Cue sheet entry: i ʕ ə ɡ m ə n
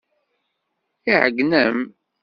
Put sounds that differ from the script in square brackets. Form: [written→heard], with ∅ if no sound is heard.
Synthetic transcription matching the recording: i ʕ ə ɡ [m→n] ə [n→m]